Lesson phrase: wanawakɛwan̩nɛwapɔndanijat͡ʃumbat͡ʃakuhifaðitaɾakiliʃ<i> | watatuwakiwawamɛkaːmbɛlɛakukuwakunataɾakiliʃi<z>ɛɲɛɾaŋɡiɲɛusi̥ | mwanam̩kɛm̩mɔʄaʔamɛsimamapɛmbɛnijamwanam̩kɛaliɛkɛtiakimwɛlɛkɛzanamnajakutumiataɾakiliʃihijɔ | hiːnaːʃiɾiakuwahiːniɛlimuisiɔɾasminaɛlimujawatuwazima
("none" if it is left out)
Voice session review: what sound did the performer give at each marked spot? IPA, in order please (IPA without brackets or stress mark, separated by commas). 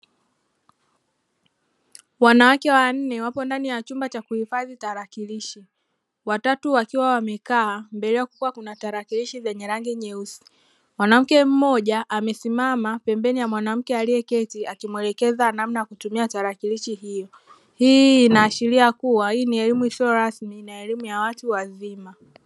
i, z